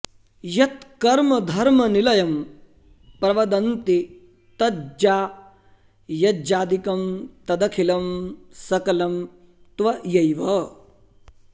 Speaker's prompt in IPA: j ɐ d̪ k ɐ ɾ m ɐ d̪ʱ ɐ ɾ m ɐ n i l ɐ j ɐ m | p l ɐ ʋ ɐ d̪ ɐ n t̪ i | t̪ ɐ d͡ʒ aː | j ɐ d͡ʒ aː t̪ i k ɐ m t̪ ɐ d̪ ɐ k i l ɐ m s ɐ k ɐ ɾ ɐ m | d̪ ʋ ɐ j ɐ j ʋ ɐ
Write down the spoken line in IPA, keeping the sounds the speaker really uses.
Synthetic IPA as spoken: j ɐ t̪ k ɐ ɾ m ɐ d̪ʱ ɐ ɾ m ɐ n i l ɐ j ɐ m | p ɾ ɐ ʋ ɐ d̪ ɐ n t̪ i | t̪ ɐ d͡ʒ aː | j ɐ d͡ʒ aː d̪ i k ɐ m t̪ ɐ d̪ ɐ kʰ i l ɐ m s ɐ k ɐ l ɐ m | t̪ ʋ ɐ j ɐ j ʋ ɐ